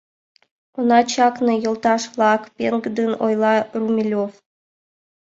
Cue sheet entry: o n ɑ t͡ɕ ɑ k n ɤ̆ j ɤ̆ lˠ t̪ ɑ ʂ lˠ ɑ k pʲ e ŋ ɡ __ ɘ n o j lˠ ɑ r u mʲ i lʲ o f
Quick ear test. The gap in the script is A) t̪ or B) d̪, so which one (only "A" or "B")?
B